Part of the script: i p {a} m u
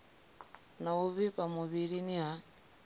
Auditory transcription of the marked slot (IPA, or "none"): a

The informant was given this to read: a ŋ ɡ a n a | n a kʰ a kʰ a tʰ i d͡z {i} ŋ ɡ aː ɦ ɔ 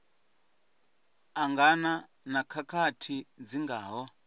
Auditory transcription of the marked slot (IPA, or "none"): i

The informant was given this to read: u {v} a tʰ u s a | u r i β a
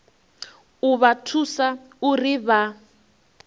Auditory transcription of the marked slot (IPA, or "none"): β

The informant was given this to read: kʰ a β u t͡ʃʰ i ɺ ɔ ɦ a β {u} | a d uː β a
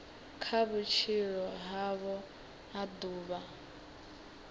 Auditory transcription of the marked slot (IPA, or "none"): ɔ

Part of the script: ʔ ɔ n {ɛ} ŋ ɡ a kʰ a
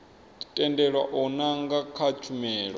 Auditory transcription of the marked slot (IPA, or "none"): a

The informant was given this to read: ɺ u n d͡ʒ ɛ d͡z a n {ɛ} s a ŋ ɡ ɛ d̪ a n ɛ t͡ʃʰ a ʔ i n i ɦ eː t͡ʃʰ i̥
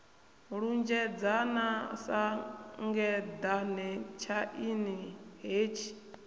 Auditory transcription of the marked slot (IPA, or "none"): a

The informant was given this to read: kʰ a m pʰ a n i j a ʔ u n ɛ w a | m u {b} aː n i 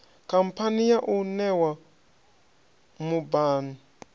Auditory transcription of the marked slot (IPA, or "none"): b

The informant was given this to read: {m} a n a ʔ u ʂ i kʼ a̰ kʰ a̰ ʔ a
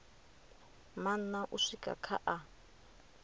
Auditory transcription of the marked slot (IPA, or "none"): m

